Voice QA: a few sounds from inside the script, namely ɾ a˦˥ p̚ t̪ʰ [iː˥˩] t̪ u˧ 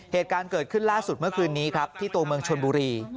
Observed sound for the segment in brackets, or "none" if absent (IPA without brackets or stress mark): iː˥˩